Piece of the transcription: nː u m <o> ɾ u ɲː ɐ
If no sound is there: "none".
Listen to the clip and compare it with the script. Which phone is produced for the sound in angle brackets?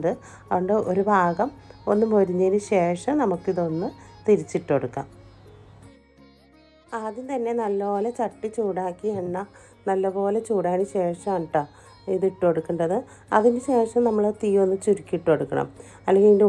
o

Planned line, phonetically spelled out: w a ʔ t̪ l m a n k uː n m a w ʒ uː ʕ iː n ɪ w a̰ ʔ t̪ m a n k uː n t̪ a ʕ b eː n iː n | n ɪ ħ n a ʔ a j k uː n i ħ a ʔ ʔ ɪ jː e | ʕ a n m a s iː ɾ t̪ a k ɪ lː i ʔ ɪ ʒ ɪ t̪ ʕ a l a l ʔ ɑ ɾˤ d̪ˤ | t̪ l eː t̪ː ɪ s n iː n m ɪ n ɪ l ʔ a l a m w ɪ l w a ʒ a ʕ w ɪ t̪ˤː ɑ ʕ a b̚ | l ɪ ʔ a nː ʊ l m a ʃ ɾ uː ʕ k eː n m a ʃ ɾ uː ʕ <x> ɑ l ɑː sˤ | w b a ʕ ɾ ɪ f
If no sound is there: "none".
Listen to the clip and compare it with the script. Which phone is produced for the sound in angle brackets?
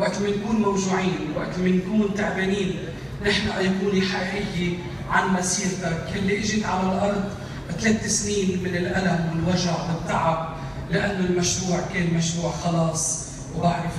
x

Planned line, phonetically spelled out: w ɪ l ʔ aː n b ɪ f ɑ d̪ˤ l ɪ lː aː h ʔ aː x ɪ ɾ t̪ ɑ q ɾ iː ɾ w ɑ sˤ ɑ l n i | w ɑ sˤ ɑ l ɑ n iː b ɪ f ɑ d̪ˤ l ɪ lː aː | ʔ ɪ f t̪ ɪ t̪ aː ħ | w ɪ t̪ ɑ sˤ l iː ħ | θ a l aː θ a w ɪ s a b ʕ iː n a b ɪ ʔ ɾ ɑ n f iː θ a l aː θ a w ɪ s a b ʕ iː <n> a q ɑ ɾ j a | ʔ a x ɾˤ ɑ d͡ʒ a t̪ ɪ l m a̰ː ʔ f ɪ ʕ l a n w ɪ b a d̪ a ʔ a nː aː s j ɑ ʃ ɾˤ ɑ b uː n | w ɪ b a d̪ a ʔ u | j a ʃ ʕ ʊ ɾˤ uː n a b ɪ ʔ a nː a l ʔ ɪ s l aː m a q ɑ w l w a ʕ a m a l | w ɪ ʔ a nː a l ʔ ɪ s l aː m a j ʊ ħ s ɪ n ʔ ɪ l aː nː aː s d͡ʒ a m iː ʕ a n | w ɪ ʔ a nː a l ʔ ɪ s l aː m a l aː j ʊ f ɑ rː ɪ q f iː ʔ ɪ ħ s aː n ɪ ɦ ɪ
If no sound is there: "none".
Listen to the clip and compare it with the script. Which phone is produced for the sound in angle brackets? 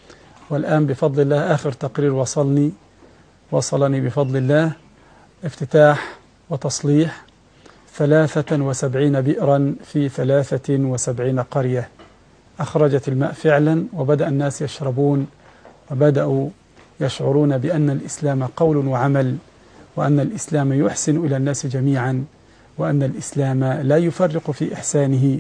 n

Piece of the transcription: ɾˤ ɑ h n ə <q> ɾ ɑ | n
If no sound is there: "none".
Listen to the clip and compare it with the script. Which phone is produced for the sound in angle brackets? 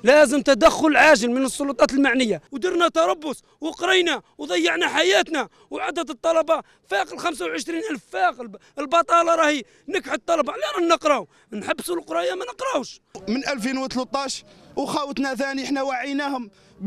q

